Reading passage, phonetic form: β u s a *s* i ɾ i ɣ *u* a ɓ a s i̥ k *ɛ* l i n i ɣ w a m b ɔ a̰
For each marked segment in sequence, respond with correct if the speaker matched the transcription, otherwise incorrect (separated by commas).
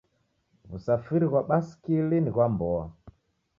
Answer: incorrect, incorrect, incorrect